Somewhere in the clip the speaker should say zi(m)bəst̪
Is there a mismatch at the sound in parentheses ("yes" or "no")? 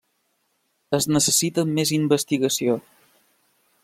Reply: no